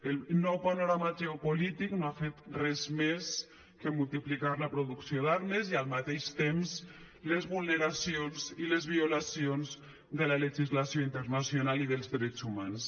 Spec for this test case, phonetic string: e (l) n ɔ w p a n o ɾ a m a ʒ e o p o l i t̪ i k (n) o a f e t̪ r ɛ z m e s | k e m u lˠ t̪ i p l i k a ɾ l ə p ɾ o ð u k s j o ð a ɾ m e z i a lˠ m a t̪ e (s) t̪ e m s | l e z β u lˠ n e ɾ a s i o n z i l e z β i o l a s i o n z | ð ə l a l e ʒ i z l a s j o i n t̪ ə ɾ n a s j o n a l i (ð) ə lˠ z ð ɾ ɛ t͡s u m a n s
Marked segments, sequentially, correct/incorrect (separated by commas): correct, correct, incorrect, correct